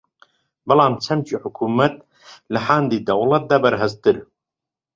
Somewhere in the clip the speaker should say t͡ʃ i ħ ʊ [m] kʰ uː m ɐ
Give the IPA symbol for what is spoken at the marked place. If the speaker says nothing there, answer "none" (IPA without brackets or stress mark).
none